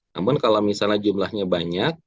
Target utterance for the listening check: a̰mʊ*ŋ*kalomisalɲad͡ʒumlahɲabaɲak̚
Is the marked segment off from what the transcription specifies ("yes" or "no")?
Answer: yes